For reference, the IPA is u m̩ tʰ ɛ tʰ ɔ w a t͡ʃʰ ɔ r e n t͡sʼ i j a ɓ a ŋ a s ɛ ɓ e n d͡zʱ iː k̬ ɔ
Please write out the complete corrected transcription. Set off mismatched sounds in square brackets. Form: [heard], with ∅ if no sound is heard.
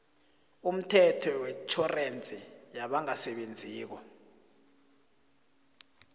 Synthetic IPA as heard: u m̩ tʰ ɛ tʰ ɔ w [ɛ] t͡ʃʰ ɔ r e n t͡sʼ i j a ɓ a ŋ a s ɛ ɓ e n d͡zʱ iː k̬ ɔ